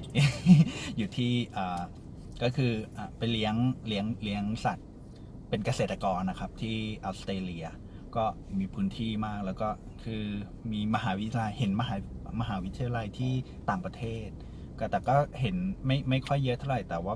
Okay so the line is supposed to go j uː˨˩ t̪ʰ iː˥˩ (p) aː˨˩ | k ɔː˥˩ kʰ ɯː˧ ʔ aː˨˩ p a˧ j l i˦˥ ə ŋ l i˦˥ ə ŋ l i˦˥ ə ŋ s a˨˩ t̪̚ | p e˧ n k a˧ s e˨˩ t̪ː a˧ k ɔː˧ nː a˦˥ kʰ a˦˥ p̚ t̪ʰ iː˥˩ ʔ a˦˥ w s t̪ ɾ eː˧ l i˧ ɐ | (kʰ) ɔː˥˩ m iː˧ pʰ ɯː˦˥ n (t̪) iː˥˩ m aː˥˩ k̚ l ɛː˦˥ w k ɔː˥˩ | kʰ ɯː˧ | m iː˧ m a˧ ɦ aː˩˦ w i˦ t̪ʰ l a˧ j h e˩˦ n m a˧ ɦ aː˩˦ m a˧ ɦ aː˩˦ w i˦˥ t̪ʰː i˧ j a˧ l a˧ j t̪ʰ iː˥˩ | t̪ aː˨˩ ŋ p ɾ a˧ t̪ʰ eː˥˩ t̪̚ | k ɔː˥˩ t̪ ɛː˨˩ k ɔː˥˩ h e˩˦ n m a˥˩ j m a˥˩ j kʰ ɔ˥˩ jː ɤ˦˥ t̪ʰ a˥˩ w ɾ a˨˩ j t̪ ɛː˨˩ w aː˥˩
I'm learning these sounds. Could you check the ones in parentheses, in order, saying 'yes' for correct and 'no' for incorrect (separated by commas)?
no, no, no